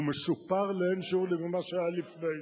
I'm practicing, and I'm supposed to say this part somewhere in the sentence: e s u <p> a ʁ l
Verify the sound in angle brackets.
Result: correct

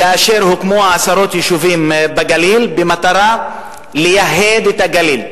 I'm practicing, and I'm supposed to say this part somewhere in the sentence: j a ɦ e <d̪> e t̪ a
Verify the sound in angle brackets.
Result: correct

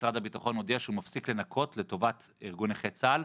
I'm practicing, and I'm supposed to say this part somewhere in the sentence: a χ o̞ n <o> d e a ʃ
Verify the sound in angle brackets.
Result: correct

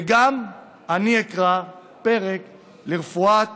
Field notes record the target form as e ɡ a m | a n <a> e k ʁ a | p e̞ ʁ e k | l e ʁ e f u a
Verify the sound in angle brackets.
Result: incorrect: i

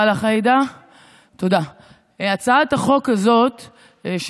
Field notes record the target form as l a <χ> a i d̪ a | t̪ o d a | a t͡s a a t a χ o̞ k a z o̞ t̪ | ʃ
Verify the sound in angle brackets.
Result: correct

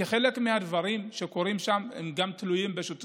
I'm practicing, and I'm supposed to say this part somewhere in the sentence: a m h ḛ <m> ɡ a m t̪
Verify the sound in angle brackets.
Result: correct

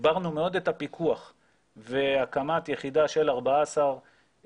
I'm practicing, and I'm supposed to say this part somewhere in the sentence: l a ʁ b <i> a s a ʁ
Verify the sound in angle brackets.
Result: incorrect: a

